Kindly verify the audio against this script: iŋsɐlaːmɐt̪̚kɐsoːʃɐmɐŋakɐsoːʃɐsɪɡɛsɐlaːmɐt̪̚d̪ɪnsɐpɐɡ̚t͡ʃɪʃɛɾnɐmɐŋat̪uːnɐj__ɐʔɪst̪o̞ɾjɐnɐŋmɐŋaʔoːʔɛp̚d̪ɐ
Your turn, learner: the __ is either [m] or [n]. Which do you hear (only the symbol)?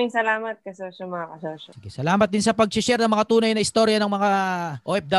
n